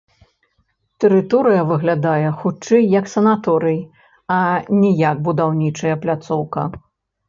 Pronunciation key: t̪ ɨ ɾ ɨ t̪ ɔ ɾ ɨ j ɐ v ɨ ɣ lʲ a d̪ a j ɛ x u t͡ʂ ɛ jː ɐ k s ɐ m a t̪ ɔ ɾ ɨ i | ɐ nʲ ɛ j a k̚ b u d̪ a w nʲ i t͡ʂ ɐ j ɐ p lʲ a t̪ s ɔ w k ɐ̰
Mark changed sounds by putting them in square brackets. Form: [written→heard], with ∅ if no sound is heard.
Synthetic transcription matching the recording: t̪ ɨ ɾ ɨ t̪ ɔ ɾ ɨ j ɐ v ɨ ɣ lʲ a d̪ a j ɛ x u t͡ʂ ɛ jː ɐ k s ɐ [m→n] a t̪ ɔ ɾ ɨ [i→j] | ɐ nʲ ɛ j a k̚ b u d̪ a w nʲ i t͡ʂ ɐ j ɐ p lʲ a t̪ s ɔ w k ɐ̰

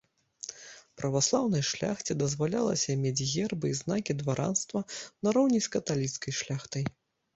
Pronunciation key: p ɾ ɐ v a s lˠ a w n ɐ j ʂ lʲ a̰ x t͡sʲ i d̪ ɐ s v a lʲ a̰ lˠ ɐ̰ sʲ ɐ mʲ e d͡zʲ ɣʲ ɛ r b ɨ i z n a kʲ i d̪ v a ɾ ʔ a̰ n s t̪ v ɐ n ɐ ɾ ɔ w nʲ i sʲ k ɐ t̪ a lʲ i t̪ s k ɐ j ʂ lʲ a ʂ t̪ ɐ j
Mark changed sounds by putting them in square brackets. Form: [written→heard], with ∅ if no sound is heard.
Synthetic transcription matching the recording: p ɾ ɐ v a s lˠ a w n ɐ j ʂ lʲ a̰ x t͡sʲ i d̪ ɐ [s→z] v a lʲ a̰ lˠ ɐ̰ sʲ ɐ mʲ e d͡zʲ ɣʲ ɛ r b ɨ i z n a kʲ i d̪ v a ɾ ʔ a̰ n s t̪ v ɐ n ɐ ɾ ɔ w nʲ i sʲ k ɐ t̪ a lʲ i t̪ s k ɐ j ʂ lʲ a [ʂ→x] t̪ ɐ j

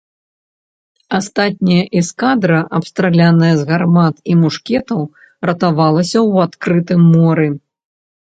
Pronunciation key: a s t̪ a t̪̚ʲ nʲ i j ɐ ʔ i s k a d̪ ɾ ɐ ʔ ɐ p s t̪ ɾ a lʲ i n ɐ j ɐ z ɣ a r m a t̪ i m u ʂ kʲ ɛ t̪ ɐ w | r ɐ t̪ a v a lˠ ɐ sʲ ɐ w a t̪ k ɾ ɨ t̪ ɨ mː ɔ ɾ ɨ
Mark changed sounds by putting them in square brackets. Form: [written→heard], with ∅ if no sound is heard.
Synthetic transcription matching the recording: a s t̪ a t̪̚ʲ nʲ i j ɐ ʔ i s k a d̪ ɾ ɐ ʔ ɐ p s t̪ ɾ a lʲ [i→a] n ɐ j ɐ z ɣ a r m a t̪ i m u ʂ kʲ ɛ t̪ ɐ w | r ɐ t̪ a v a lˠ ɐ sʲ ɐ w a t̪ k ɾ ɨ t̪ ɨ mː ɔ ɾ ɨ

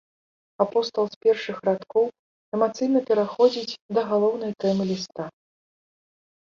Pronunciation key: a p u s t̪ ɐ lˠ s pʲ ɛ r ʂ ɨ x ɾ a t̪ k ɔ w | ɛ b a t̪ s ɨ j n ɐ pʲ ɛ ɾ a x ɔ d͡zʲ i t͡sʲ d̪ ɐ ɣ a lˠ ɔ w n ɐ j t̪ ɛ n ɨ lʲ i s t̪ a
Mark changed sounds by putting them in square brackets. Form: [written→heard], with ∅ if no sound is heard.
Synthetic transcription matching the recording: a p [u→ɔ] s t̪ ɐ lˠ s pʲ ɛ r ʂ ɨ x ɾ a t̪ k ɔ w | ɛ [b→m] a t̪ s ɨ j n ɐ pʲ ɛ ɾ a x ɔ d͡zʲ i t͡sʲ d̪ ɐ ɣ a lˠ ɔ w n ɐ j t̪ ɛ [n→m] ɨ lʲ i s t̪ a

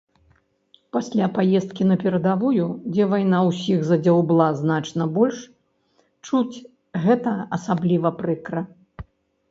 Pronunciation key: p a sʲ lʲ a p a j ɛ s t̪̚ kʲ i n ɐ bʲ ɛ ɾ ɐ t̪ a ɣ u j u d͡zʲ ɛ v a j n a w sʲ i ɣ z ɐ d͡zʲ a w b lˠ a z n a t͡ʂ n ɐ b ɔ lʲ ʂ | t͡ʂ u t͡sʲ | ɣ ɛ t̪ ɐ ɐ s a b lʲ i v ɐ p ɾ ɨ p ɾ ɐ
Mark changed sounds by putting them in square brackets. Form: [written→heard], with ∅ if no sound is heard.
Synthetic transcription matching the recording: p a sʲ lʲ a p a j ɛ s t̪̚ kʲ i n ɐ [bʲ→pʲ] ɛ ɾ ɐ [t̪→d̪] a [ɣ→v] u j u d͡zʲ ɛ v a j n a w sʲ i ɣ z ɐ d͡zʲ a w b lˠ a z n a t͡ʂ n ɐ b ɔ lʲ ʂ | t͡ʂ u t͡sʲ | ɣ ɛ t̪ ɐ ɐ s a b lʲ i v ɐ p ɾ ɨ [p→k] ɾ ɐ

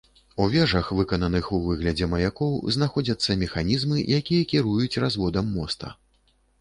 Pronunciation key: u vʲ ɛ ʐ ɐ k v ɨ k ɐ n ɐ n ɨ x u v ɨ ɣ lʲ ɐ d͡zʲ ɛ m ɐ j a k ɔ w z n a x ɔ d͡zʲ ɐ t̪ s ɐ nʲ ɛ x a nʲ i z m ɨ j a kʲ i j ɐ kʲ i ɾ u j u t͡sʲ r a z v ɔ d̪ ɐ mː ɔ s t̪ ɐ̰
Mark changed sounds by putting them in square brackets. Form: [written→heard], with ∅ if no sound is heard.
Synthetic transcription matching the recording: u vʲ ɛ ʐ ɐ [k→x] v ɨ k ɐ n ɐ n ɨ x u v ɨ ɣ lʲ ɐ d͡zʲ ɛ m ɐ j a k ɔ w z n a x ɔ d͡zʲ ɐ t̪ [s→sː] ɐ [nʲ→mʲ] ɛ x a nʲ i z m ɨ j a kʲ i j ɐ kʲ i ɾ u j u t͡sʲ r a z v ɔ d̪ ɐ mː ɔ s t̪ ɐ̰

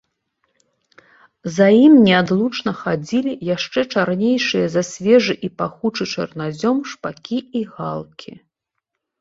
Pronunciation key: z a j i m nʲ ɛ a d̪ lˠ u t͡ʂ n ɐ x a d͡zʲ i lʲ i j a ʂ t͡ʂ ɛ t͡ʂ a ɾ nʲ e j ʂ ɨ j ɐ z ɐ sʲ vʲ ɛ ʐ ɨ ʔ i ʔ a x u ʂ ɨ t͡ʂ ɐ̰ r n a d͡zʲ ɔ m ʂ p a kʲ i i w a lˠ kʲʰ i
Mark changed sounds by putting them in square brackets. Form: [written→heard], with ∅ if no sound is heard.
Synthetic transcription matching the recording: z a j i m nʲ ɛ a d̪ lˠ u t͡ʂ n ɐ x a d͡zʲ i lʲ i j a ʂ t͡ʂ ɛ t͡ʂ a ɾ nʲ e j ʂ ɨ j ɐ z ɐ sʲ vʲ ɛ ʐ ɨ ʔ i [ʔ→p] a x u [ʂ→t͡ʂ] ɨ t͡ʂ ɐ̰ r n a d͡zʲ ɔ m ʂ p a kʲ i i [w→ɣ] a lˠ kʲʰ i

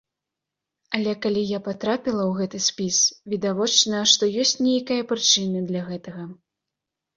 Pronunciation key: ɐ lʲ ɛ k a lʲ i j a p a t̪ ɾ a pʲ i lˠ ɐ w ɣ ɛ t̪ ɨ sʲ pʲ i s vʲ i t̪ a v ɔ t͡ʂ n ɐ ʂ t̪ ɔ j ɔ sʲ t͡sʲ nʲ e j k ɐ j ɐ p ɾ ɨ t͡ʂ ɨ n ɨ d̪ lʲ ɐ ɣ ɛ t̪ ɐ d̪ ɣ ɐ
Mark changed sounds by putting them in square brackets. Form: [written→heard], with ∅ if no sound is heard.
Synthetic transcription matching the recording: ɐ lʲ ɛ k a lʲ i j a p a t̪ ɾ a pʲ i lˠ ɐ w ɣ ɛ t̪ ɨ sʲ pʲ i s vʲ i [t̪→d̪] a v ɔ t͡ʂ n ɐ ʂ t̪ ɔ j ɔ sʲ t͡sʲ nʲ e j k ɐ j ɐ p ɾ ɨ t͡ʂ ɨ n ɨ d̪ lʲ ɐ ɣ ɛ t̪ ɐ [d̪→∅] ɣ ɐ

